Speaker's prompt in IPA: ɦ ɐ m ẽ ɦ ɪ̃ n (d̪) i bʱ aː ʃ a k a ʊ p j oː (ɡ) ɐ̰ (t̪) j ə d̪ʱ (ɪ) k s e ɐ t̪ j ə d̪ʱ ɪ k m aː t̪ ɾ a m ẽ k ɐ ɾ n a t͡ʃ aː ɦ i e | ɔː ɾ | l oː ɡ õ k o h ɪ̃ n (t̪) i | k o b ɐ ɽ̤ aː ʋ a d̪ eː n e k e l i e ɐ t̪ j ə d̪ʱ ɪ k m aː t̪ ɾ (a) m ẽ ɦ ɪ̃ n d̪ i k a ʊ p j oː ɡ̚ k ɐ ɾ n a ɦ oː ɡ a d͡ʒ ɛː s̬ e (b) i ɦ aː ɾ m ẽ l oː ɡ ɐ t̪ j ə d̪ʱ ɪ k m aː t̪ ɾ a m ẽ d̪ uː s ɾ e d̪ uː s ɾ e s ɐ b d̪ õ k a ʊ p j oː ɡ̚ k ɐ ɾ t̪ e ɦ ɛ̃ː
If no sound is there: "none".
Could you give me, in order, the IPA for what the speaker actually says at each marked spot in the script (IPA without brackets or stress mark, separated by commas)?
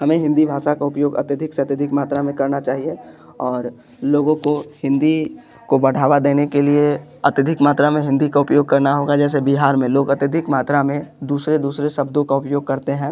d̪, ɡ, t̪, ɪ, d̪, a, b